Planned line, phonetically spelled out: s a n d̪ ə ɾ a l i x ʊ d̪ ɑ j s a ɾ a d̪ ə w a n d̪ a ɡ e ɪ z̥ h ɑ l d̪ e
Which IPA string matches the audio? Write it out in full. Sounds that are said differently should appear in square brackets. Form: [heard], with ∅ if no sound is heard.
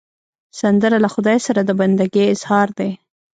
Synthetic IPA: s a n d̪ ə ɾ a l [a] x ʊ d̪ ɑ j s a ɾ a d̪ ə [b] a n d̪ a ɡ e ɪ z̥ h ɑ [ɾ] d̪ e